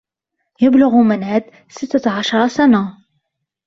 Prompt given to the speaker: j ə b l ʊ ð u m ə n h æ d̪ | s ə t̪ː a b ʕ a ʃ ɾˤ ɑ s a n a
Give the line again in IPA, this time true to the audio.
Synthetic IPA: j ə b l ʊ ɣ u m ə n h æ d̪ | s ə t̪ː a ʕ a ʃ ɾˤ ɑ s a n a